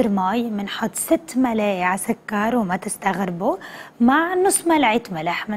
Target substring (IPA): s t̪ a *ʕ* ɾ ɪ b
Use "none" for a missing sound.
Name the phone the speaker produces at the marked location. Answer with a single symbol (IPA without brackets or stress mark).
ɣ